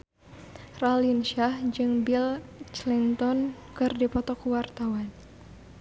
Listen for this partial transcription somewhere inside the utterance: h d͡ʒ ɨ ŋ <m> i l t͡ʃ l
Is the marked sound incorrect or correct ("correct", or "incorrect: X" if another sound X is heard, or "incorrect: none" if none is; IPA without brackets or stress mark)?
incorrect: b